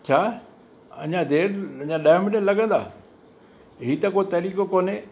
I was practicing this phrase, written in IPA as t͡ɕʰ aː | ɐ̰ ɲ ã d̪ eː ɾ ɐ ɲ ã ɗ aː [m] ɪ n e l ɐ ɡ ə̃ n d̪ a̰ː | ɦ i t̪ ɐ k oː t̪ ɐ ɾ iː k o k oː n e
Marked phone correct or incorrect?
correct